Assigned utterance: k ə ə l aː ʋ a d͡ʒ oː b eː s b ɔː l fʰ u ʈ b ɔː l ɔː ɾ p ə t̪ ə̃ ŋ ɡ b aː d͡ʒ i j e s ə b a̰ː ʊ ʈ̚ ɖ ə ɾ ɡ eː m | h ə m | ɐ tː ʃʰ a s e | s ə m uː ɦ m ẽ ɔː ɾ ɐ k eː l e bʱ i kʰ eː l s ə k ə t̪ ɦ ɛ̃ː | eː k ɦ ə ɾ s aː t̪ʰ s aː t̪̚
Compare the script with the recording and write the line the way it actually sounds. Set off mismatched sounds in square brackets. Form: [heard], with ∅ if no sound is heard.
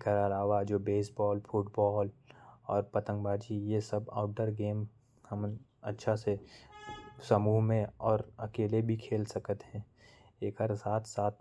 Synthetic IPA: k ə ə l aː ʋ a d͡ʒ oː b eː s b ɔː l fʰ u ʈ b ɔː l ɔː ɾ p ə t̪ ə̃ ŋ ɡ b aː d͡ʒ i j e s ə b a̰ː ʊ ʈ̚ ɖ ə ɾ ɡ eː m | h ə m | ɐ tː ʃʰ a s e | s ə m uː ɦ m ẽ ɔː ɾ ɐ k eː l e bʱ i kʰ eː l s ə k ə t̪ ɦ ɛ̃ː | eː k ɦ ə ɾ s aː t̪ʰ s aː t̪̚